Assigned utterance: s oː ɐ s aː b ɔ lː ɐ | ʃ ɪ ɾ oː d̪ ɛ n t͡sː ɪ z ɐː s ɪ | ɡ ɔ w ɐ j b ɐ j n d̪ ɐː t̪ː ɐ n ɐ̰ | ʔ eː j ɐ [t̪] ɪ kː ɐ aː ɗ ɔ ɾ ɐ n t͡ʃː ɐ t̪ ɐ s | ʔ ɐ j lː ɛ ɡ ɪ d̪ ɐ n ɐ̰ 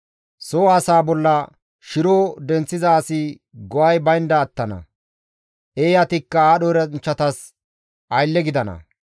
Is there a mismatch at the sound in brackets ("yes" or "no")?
no